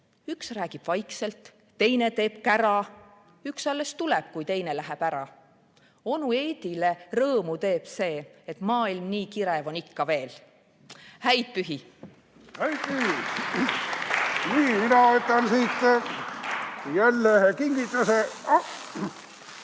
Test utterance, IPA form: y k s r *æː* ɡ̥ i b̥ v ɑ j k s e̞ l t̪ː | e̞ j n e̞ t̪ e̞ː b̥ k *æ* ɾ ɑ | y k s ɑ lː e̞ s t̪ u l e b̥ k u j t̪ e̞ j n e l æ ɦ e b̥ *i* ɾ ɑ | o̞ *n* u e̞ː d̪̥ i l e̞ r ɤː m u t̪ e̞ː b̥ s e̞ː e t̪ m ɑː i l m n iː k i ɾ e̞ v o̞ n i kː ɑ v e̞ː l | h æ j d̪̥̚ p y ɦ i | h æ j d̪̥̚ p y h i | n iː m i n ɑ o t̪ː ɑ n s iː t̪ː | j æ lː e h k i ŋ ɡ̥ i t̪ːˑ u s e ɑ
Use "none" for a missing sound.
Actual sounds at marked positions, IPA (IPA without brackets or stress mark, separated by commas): æː, æ, æ, n